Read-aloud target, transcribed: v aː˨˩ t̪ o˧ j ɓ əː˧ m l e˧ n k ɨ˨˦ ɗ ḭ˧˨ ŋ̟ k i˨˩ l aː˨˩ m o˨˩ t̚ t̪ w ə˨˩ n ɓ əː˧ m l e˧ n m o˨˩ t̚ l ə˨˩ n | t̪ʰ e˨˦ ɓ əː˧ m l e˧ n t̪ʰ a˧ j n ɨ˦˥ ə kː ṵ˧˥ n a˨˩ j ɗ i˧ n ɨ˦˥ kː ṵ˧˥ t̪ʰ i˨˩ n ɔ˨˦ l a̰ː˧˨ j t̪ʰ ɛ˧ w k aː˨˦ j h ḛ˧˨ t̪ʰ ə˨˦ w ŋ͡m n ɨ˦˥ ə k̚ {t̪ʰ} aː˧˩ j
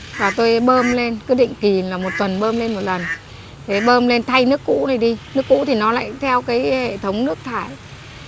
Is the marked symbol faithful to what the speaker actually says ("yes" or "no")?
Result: yes